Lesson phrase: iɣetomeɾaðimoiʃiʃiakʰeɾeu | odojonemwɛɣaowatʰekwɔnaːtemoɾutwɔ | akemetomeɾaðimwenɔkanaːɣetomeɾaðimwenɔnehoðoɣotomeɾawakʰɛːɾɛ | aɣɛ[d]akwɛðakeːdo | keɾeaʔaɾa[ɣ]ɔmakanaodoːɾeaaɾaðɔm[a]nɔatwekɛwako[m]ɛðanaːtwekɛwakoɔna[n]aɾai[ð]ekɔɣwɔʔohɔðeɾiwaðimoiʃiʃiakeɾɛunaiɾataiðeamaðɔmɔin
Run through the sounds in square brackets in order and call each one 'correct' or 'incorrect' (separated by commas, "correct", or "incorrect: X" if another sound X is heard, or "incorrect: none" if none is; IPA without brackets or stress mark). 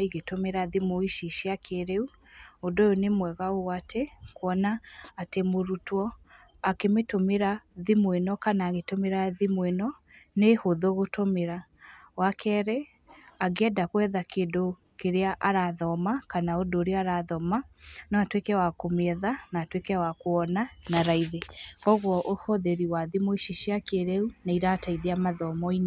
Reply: correct, incorrect: ð, correct, correct, correct, correct